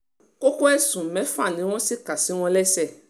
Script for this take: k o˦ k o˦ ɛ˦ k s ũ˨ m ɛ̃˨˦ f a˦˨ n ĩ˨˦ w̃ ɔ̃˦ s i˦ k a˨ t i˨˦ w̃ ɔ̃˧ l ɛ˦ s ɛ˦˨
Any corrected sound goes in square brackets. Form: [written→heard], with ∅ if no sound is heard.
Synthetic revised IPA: k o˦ k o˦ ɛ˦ [k→∅] s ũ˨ m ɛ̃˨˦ f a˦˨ n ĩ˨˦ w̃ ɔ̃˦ s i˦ k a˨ [t→s] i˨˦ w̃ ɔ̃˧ l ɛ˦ s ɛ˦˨